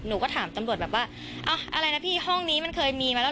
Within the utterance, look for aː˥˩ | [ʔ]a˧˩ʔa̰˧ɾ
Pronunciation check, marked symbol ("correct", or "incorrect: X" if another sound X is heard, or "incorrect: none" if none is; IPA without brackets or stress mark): correct